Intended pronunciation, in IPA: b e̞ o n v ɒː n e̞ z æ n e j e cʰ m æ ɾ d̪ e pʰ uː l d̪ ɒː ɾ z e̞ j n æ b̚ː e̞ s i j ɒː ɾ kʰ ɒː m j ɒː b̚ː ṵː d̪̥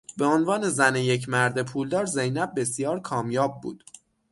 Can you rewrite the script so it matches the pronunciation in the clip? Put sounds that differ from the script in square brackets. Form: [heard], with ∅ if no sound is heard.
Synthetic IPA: b e̞ o n v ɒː n e̞ z æ n e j e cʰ m æ ɾ d̪ e pʰ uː l d̪ ɒː ɾ z e̞ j n æ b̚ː e̞ s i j ɒː ɾ kʰ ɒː m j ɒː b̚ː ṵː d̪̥